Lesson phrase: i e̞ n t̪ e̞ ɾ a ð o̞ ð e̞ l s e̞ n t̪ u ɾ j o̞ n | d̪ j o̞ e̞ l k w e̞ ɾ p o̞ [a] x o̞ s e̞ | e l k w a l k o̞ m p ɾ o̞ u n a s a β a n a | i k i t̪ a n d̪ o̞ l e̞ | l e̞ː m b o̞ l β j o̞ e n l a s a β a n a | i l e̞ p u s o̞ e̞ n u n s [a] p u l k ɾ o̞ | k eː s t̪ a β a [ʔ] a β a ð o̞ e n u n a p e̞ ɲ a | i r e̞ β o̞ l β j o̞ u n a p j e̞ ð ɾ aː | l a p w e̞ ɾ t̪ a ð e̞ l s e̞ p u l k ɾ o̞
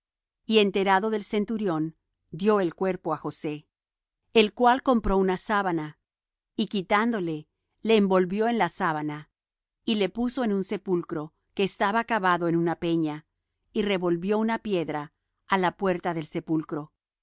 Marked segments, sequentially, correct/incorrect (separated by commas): correct, incorrect, incorrect